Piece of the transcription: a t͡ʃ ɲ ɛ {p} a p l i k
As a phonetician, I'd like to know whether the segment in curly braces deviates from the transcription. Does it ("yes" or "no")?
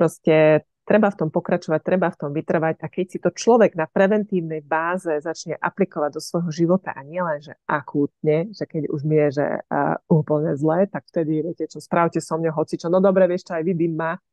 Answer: yes